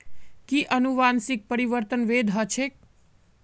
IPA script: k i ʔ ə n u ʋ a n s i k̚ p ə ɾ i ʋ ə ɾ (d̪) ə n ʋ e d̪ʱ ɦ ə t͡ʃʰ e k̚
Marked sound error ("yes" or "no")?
yes